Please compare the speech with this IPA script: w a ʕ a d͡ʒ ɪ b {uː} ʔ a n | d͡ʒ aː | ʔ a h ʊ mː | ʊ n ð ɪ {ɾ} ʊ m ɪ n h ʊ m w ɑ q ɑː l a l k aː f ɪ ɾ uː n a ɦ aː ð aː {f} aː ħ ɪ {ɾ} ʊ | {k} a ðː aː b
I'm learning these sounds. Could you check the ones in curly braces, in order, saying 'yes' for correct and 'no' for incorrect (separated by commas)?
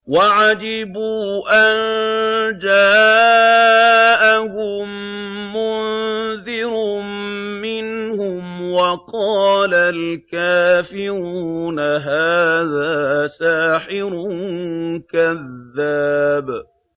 yes, yes, no, yes, yes